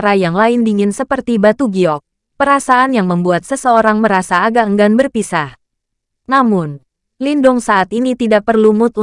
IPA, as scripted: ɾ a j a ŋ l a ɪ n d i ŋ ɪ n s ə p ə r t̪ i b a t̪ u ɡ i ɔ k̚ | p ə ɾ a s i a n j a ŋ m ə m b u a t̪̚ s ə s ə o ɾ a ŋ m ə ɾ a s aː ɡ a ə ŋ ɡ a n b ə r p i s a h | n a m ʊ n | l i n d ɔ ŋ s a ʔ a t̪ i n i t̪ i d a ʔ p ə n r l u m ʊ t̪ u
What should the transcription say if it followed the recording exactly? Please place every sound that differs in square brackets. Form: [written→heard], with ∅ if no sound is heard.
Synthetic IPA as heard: ɾ a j a ŋ l a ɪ n d i ŋ ɪ n s ə p ə r t̪ i b a t̪ u ɡ i ɔ k̚ | p ə ɾ a s [i→a] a n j a ŋ m ə m b u a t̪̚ s ə s ə o ɾ a ŋ m ə ɾ a s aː ɡ a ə ŋ ɡ a n b ə r p i s a h | n a m ʊ n | l i n d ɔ ŋ s a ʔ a t̪ i n i t̪ i d a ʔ p ə [n→∅] r l u m ʊ t̪ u